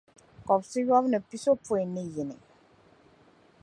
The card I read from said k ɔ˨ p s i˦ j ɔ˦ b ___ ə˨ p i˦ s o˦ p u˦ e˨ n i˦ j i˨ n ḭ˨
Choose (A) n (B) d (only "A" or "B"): A